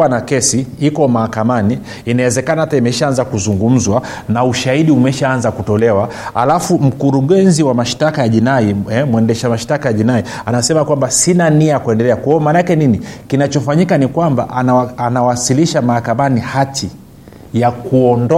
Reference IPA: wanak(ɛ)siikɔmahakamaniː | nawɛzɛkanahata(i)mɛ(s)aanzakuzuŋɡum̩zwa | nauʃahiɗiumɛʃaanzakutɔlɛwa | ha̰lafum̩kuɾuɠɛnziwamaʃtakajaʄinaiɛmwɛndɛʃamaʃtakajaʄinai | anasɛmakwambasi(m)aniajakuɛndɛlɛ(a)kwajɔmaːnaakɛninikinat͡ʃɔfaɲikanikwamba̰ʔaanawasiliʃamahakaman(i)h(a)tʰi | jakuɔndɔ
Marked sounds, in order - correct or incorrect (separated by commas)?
correct, correct, incorrect, incorrect, correct, correct, correct